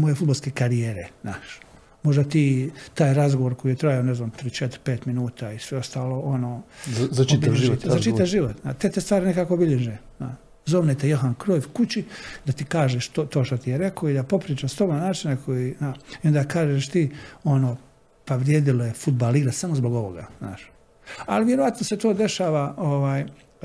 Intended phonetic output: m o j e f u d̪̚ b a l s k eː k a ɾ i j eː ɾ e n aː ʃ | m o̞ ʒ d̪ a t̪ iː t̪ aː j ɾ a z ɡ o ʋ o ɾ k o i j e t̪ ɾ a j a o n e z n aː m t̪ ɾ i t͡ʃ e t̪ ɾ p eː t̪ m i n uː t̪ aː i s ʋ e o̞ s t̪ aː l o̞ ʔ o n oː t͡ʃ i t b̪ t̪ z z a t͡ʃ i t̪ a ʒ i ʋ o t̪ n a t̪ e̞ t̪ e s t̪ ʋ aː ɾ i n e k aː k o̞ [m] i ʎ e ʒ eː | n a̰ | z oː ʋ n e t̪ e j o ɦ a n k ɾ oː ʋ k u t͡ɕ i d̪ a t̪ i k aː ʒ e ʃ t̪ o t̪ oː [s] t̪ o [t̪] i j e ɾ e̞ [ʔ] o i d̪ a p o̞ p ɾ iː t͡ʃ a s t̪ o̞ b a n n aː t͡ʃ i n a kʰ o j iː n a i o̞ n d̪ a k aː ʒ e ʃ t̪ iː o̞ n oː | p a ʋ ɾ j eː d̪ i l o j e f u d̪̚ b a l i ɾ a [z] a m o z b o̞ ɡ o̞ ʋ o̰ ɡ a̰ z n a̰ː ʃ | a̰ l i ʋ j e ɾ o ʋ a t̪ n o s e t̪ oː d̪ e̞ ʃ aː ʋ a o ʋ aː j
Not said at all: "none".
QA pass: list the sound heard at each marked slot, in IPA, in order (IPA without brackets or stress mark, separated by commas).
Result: b, ʃ, t̪, k, s